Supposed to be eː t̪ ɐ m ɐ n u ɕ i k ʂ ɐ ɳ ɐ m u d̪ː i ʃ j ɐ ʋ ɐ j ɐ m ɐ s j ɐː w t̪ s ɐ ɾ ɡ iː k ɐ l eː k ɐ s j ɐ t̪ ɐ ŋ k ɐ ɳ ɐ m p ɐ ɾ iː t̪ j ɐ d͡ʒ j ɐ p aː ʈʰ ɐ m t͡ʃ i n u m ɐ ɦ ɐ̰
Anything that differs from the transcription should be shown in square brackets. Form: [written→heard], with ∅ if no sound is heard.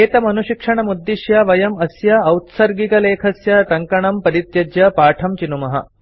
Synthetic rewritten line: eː t̪ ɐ m ɐ n u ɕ i k ʂ ɐ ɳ ɐ m u d̪ː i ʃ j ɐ ʋ ɐ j ɐ m ɐ s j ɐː w t̪ s ɐ ɾ ɡ [iː→i] k ɐ l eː [k→kʰ] ɐ s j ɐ t̪ ɐ ŋ k ɐ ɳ ɐ m p ɐ ɾ [iː→i] t̪ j ɐ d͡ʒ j ɐ p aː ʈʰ ɐ m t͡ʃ i n u m ɐ ɦ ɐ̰